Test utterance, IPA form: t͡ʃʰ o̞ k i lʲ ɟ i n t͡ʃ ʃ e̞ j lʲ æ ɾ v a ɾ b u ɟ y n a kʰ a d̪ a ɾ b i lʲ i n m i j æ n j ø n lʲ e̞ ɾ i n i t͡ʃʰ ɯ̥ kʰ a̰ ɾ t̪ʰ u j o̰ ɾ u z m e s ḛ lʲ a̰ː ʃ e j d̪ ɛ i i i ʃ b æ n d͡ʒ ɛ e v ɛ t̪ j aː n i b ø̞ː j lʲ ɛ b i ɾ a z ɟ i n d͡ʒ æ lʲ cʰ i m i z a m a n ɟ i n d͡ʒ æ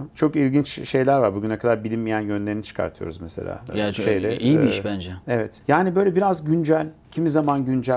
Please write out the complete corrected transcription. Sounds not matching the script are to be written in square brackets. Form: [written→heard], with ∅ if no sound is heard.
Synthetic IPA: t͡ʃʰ o̞ k i lʲ ɟ i n t͡ʃ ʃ e̞ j lʲ æ ɾ v a ɾ b u ɟ y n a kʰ a d̪ a ɾ b i lʲ i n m i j æ n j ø n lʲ e̞ ɾ i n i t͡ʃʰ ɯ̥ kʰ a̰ ɾ t̪ʰ [u→ɯ] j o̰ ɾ u z m e s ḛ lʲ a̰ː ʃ e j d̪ ɛ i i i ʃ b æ n d͡ʒ ɛ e v ɛ t̪ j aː n i b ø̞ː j lʲ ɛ b i ɾ a z ɟ [i→y] n d͡ʒ æ lʲ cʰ i m i z a m a n ɟ [i→y] n d͡ʒ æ